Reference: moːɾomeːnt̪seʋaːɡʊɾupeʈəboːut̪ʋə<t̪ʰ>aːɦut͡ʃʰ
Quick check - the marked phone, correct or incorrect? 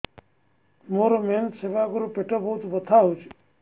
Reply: correct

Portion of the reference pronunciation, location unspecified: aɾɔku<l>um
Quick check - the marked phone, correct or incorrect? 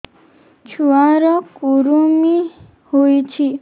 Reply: incorrect: ɾ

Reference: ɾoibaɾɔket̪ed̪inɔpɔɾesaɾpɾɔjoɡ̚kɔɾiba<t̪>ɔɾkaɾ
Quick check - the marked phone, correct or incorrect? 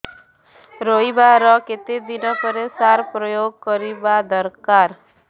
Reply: incorrect: d̪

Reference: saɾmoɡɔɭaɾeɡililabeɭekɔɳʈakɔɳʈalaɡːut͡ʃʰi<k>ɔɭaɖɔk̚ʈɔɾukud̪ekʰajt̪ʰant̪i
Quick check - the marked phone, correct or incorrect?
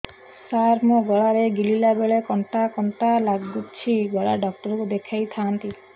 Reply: incorrect: ɡ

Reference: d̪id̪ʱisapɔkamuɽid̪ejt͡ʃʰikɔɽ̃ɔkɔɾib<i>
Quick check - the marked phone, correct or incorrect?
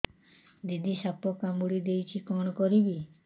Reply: correct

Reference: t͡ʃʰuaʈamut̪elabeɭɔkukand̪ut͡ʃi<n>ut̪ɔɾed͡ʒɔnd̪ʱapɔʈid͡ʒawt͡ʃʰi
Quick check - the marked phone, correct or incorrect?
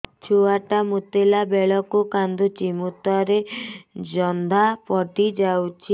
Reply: incorrect: m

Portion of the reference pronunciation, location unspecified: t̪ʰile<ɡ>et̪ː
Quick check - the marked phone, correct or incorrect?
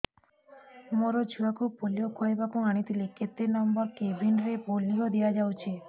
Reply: incorrect: k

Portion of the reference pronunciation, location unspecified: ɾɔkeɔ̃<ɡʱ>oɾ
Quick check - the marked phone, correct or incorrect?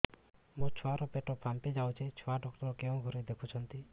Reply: correct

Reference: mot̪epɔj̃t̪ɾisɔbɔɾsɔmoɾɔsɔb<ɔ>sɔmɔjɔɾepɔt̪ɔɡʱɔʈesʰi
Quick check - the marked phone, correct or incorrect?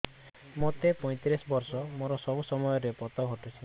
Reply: incorrect: u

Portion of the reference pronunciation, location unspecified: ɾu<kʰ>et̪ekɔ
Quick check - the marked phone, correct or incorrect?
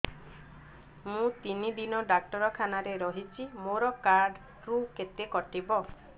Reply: incorrect: k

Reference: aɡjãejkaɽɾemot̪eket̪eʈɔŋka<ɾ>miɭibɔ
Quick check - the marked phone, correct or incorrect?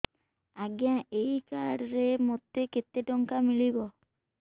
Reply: incorrect: none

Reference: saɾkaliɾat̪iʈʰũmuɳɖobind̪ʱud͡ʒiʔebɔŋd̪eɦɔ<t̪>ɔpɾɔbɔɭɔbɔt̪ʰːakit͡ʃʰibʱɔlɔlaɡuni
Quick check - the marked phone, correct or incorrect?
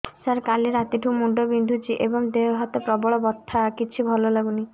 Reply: correct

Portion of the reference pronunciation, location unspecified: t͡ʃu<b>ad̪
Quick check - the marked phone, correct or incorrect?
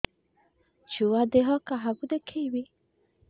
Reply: incorrect: w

